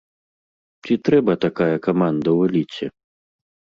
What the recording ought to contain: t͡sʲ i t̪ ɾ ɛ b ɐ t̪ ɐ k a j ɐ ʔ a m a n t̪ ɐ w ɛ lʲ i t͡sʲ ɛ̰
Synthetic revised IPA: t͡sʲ i t̪ ɾ ɛ b ɐ t̪ a k a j ɐ k a m a n d̪ ɐ w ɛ lʲ i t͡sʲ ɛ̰

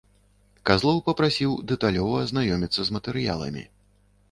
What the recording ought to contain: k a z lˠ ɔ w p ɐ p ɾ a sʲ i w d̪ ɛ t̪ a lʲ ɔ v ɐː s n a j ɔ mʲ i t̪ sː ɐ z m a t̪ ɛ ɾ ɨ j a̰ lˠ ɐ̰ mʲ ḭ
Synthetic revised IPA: k a z lˠ ɔ w p ɐ p ɾ a sʲ i w d̪ ɛ t̪ a lʲ ɔ v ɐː z n a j ɔ mʲ i t̪ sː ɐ z m ɐ t̪ ɛ ɾ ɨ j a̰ lˠ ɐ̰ mʲ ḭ

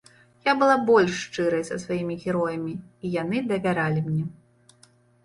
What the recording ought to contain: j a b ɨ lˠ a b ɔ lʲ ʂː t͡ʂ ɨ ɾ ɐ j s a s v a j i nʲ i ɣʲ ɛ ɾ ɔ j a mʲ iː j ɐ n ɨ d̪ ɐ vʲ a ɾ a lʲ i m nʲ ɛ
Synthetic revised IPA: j a b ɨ lˠ a b ɔ lʲ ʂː t͡ʂ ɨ ɾ ɐ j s ɐ s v a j i mʲ i ɣʲ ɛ ɾ ɔ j ɐ mʲ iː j a n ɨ d̪ ɐ vʲ a ɾ a lʲ i m nʲ ɛ

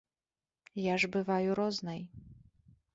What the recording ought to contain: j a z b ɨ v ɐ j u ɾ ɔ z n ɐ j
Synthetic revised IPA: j a ʐ b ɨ v a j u ɾ ɔ z n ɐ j

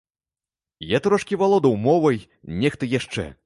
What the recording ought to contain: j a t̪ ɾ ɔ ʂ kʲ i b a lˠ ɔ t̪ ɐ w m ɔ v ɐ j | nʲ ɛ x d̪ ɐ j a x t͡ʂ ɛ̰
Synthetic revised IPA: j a t̪ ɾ ɔ ʂ kʲ i v a lˠ ɔ d̪ ɐ w m ɔ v ɐ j | nʲ ɛ x t̪ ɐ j a ʂ t͡ʂ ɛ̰

